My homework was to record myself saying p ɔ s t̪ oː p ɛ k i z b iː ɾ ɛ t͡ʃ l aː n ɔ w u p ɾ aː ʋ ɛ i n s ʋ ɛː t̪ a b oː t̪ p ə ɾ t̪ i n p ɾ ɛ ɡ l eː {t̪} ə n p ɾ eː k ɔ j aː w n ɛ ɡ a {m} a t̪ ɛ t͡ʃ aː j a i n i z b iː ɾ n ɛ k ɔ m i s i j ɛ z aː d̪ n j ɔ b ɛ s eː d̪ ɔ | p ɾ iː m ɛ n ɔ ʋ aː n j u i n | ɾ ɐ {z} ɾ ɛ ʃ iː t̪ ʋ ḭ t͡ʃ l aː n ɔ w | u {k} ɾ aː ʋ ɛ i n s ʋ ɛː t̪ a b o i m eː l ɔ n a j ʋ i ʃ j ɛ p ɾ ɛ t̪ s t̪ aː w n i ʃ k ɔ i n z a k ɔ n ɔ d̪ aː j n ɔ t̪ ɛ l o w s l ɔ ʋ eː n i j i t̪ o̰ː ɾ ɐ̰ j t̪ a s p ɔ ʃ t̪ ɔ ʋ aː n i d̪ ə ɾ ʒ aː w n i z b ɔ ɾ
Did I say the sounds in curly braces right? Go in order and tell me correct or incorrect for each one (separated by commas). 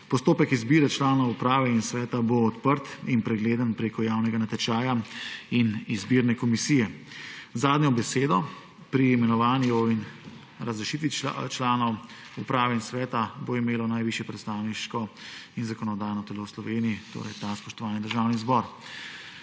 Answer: incorrect, incorrect, correct, incorrect